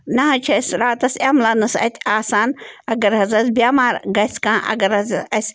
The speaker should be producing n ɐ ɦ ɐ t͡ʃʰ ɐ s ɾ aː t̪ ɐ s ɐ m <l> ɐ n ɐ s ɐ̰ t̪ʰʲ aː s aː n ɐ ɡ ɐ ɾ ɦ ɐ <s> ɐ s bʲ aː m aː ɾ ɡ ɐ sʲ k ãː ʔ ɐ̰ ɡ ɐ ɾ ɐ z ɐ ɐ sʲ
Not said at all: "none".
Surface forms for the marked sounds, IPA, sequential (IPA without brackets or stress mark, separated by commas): l, z